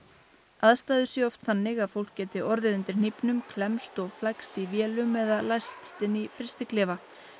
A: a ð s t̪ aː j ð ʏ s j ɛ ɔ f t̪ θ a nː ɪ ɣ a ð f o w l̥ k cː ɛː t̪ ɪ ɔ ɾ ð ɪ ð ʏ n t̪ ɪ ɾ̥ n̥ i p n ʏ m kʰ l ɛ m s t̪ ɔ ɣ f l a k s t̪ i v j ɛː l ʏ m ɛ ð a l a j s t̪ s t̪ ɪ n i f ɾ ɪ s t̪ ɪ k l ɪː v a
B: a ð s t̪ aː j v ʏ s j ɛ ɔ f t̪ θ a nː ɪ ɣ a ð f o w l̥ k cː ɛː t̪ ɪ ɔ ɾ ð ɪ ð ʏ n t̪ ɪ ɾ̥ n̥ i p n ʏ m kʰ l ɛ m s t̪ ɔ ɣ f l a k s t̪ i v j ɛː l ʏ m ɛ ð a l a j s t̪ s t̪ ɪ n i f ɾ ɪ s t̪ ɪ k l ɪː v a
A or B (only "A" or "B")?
A